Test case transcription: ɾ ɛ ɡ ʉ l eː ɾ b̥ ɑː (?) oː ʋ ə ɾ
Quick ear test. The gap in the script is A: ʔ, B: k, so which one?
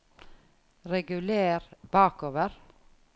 B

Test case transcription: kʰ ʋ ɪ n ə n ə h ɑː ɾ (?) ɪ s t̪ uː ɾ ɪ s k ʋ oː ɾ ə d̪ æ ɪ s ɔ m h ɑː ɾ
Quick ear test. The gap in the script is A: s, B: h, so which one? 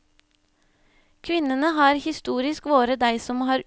B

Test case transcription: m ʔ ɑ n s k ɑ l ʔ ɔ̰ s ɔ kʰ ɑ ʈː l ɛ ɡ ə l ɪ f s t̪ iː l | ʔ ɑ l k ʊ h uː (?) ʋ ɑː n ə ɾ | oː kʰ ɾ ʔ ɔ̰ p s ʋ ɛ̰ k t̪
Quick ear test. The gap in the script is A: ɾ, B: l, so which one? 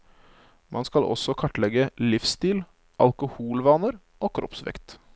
B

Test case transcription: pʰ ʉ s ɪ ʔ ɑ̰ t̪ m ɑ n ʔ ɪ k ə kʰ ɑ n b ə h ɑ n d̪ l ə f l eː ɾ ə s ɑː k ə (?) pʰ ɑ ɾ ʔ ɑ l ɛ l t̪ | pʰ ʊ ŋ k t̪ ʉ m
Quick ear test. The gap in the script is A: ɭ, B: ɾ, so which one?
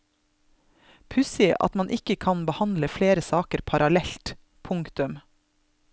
B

